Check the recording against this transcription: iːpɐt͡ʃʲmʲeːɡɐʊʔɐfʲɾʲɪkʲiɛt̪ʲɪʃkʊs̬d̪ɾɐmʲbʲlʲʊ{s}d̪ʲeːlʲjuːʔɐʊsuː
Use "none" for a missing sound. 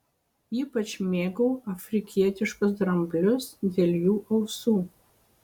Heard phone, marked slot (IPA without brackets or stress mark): s